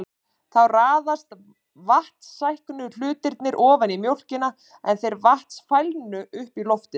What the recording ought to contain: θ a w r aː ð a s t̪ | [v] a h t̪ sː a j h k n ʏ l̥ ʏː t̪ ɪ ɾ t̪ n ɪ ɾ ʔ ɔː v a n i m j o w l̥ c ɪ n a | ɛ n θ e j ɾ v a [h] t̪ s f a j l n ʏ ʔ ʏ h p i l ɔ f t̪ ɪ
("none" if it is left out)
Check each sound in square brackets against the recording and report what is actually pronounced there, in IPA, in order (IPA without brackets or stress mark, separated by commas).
v, h